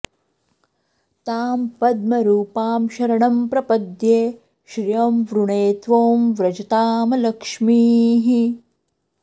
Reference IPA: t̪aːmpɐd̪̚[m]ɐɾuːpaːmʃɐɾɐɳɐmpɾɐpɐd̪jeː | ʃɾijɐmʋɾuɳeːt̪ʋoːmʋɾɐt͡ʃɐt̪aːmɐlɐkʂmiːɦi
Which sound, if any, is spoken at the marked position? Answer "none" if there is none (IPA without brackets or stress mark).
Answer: m